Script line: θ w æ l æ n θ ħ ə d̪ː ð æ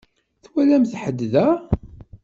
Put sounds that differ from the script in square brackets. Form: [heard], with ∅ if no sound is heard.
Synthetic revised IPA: θ w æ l æ [m] θ ħ ə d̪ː ð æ